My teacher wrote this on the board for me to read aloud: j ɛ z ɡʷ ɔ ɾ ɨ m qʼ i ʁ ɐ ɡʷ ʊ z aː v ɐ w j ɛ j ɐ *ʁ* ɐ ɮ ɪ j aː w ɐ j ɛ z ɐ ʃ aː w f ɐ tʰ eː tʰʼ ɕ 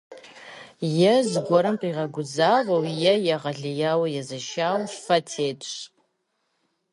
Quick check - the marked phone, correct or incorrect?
correct